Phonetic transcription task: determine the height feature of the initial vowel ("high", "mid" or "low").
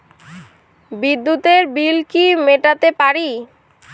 high